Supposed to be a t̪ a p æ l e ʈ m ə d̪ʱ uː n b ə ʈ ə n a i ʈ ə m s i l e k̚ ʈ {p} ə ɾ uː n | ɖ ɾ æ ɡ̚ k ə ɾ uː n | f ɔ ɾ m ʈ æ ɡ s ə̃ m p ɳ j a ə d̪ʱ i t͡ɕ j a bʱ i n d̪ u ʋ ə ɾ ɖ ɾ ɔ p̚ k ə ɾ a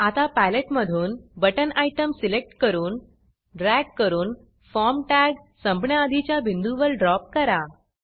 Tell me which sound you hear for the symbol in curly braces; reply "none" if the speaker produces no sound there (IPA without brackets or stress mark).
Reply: k